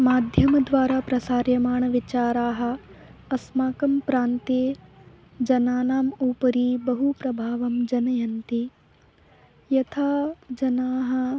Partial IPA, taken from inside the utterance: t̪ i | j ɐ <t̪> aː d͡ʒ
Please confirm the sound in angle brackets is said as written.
no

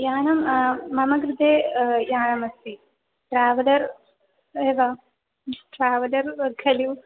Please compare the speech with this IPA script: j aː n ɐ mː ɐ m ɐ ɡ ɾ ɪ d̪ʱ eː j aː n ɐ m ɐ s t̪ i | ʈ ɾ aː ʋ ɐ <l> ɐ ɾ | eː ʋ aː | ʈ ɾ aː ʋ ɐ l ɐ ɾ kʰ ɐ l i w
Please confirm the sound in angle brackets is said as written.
yes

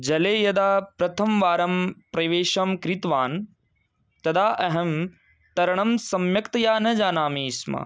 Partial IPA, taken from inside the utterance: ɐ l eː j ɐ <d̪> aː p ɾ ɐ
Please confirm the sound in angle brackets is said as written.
yes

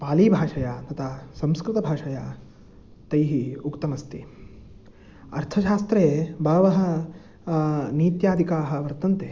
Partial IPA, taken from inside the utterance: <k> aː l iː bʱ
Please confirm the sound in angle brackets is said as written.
no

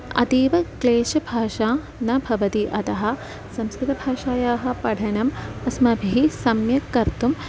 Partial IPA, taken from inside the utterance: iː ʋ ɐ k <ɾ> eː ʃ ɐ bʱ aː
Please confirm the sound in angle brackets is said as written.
no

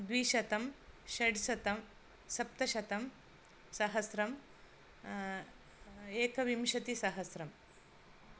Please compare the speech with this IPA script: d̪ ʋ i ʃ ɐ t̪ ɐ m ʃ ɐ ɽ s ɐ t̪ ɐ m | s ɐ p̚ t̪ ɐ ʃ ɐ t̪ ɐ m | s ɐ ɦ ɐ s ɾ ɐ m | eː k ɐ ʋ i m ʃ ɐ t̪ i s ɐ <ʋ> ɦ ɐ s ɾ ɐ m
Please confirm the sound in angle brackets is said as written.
no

